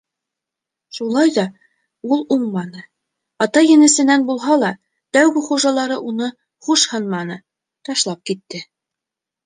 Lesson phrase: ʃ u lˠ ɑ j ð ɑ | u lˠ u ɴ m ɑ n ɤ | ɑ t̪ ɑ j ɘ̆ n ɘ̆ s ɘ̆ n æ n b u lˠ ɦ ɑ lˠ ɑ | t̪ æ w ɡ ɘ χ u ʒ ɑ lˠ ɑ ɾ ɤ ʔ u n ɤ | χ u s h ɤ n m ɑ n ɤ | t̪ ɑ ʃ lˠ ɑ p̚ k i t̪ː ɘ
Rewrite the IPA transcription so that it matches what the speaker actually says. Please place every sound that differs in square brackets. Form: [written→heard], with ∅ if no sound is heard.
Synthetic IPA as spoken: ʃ u lˠ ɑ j ð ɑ | u lˠ u ɴ m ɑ n ɤ | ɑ t̪ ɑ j ɘ̆ n ɘ̆ s ɘ̆ n æ n b u lˠ ɦ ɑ lˠ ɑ | t̪ æ w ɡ ɘ χ u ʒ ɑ lˠ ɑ ɾ ɤ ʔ u n ɤ | χ u [s→ʃ] h ɤ n m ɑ n ɤ | t̪ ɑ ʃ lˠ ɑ p̚ k i t̪ː ɘ

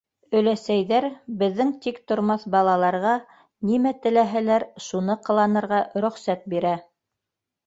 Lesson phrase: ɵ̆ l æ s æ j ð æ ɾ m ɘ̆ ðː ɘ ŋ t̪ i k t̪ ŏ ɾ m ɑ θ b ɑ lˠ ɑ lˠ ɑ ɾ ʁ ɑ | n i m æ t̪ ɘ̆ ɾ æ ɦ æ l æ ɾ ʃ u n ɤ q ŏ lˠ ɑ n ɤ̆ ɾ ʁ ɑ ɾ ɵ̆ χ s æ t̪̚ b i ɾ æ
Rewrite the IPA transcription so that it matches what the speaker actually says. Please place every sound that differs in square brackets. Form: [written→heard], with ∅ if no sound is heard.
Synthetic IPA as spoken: ɵ̆ l æ s æ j ð æ ɾ [m→b] ɘ̆ ðː ɘ ŋ t̪ i k t̪ ŏ ɾ m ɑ θ b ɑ lˠ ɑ lˠ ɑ ɾ ʁ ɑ | n i m æ t̪ ɘ̆ [ɾ→l] æ ɦ æ l æ ɾ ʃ u n ɤ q [ŏ→ɤ̆] lˠ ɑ n ɤ̆ ɾ ʁ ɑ ɾ ɵ̆ χ s æ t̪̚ b i ɾ æ

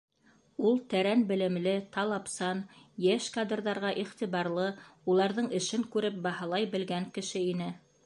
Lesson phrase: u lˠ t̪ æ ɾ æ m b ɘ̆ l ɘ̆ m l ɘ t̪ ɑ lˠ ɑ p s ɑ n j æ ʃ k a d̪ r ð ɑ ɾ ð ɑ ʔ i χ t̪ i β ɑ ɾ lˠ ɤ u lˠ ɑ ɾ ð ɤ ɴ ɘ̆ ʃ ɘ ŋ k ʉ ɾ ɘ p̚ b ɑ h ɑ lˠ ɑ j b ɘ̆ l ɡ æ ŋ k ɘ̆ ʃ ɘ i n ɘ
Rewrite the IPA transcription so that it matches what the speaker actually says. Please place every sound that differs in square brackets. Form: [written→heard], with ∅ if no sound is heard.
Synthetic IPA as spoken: u lˠ t̪ æ ɾ æ [m→n] b ɘ̆ l ɘ̆ m l ɘ t̪ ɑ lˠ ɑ p s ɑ n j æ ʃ k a d̪ r ð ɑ ɾ [ð→ʁ] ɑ ʔ i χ t̪ i β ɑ ɾ lˠ ɤ u lˠ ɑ ɾ ð ɤ ɴ ɘ̆ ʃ ɘ ŋ k ʉ ɾ ɘ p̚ b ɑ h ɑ lˠ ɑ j b ɘ̆ l ɡ æ ŋ k ɘ̆ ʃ ɘ i n ɘ

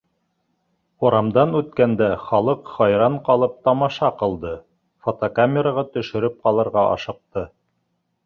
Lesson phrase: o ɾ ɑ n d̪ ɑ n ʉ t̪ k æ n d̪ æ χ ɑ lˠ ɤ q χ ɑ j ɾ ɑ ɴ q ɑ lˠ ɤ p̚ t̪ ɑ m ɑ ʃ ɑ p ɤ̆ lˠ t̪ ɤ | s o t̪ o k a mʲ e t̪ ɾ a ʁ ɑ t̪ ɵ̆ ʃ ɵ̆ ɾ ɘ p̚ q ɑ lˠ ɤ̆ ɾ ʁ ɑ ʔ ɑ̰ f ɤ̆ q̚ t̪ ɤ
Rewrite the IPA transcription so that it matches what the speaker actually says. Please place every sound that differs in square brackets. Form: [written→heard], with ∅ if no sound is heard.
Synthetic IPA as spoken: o ɾ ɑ [n→m] d̪ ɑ n ʉ t̪ k æ n d̪ æ χ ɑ lˠ ɤ q χ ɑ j ɾ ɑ ɴ q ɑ lˠ ɤ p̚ t̪ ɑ m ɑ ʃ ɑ [p→q] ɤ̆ lˠ [t̪→d̪] ɤ | [s→f] o t̪ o k a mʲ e [t̪→∅] ɾ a ʁ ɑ t̪ ɵ̆ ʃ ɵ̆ ɾ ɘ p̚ q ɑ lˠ ɤ̆ ɾ ʁ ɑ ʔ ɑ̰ [f→ʃ] ɤ̆ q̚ t̪ ɤ

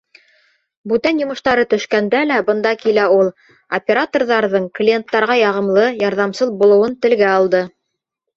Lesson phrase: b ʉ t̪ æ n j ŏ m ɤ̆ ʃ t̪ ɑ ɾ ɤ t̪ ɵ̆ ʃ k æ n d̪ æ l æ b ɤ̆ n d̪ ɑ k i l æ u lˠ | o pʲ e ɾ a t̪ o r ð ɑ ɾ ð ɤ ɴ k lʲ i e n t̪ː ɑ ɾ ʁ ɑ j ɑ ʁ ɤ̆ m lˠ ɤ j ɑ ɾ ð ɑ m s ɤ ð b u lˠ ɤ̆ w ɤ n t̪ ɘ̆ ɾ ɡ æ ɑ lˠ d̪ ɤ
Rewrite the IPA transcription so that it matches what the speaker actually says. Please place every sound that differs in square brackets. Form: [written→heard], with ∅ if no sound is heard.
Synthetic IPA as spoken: b ʉ t̪ æ n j ŏ m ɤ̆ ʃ t̪ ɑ ɾ ɤ t̪ ɵ̆ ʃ k æ n d̪ æ l æ b ɤ̆ n d̪ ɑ k i l æ u lˠ | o pʲ e ɾ a t̪ o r ð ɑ ɾ ð ɤ ɴ k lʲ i e n t̪ː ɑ ɾ ʁ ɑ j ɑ ʁ ɤ̆ m lˠ ɤ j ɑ ɾ ð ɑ m s ɤ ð b u lˠ ɤ̆ w ɤ n t̪ ɘ̆ [ɾ→l] ɡ æ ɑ lˠ d̪ ɤ

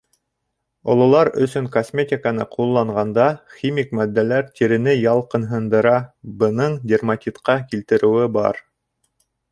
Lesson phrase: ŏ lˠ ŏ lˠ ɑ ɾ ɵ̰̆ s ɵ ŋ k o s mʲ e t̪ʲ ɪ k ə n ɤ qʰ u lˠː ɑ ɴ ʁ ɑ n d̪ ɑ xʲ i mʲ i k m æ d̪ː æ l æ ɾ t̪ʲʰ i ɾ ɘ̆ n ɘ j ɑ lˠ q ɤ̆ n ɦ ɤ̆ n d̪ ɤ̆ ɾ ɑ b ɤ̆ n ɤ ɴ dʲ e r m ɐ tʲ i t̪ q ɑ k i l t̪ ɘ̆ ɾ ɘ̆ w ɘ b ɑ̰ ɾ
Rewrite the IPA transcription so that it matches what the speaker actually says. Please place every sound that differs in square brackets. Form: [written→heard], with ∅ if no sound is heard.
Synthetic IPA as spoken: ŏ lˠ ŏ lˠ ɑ ɾ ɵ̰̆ s ɵ ŋ k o s mʲ e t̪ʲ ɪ k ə n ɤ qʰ u lˠː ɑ ɴ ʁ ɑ n d̪ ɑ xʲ i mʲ i k m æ d̪ː æ l æ ɾ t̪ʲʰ i ɾ ɘ̆ n ɘ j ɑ lˠ q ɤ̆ n ɦ ɤ̆ n d̪ ɤ̆ ɾ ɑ b ɤ̆ n ɤ ɴ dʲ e r m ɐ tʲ i t̪ q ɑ k i l t̪ ɘ̆ ɾ ɘ̆ w ɘ b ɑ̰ ɾ

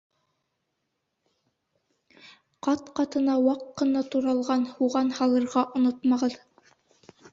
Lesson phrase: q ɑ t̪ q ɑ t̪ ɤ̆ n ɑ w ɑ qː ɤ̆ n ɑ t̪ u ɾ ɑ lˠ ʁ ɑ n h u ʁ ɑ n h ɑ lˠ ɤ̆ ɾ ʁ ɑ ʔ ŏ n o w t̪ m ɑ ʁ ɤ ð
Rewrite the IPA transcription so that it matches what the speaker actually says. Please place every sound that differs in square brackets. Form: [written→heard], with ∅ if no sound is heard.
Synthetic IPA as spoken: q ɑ t̪ q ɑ t̪ ɤ̆ n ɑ w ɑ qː ɤ̆ n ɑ t̪ u ɾ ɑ lˠ ʁ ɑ n h u ʁ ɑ n h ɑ lˠ ɤ̆ ɾ ʁ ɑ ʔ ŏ n o [w→∅] t̪ m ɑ ʁ ɤ ð

